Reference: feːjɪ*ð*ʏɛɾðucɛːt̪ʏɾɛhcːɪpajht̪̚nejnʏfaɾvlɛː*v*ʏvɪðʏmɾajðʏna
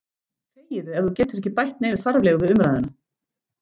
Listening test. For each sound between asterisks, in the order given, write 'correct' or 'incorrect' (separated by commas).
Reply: correct, incorrect